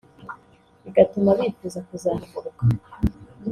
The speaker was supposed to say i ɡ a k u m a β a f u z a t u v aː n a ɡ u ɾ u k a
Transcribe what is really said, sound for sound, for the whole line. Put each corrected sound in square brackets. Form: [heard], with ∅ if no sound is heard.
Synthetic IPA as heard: i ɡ a [t] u m a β [i] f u z a [k] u [z] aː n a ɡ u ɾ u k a